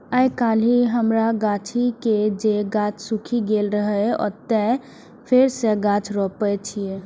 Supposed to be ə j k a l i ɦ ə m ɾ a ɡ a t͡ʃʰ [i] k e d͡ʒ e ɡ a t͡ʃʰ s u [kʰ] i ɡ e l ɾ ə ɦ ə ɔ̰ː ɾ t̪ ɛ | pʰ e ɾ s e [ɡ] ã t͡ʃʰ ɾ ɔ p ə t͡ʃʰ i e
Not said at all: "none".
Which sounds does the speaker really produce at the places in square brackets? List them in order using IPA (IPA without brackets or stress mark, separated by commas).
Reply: i, kʰ, ɡ